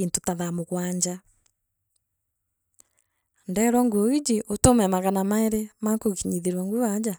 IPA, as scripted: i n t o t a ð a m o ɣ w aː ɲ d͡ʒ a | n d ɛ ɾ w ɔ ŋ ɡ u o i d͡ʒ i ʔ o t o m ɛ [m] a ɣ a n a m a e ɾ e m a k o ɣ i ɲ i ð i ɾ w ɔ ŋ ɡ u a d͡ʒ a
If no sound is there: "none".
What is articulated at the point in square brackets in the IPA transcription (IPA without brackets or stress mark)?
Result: m